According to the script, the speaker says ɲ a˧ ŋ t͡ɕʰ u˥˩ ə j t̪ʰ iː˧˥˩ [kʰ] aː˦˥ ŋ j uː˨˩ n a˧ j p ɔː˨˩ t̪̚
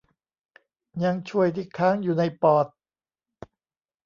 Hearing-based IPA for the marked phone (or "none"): kʰ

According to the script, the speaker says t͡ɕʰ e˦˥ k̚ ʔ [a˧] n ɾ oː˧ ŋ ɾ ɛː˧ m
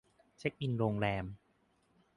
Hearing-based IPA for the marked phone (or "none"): i˧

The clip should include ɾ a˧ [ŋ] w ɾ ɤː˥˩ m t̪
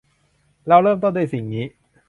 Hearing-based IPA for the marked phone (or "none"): none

